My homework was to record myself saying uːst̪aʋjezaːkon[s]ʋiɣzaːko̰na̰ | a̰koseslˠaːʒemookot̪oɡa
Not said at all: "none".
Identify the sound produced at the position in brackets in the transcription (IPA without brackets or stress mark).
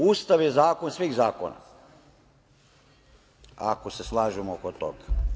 s